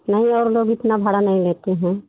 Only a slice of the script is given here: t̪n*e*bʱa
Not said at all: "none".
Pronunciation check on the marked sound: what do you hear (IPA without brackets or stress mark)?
a